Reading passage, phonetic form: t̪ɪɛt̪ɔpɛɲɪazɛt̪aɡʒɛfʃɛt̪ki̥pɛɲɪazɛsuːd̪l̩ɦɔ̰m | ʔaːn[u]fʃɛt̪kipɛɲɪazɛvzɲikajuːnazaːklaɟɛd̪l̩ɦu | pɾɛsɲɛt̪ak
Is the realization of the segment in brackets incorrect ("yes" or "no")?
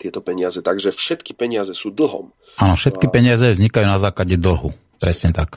yes